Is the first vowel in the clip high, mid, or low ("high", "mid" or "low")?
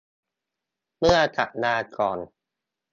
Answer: high